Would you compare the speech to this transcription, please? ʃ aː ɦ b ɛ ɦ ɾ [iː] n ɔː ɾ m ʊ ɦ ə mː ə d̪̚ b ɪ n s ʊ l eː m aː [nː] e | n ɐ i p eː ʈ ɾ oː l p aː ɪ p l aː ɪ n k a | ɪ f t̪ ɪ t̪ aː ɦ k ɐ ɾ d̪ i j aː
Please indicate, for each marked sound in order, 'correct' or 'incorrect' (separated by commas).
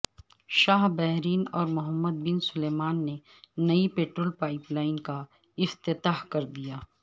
correct, correct